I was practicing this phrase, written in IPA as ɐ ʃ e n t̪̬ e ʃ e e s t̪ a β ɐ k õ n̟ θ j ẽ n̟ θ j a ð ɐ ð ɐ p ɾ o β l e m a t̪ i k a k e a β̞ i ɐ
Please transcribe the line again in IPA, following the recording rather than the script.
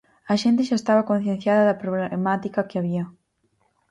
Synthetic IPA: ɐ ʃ e n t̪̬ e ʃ a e s t̪ a β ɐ k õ n̟ θ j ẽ n̟ θ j a ð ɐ ð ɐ p ɾ o β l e m a t̪ i k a k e a β̞ i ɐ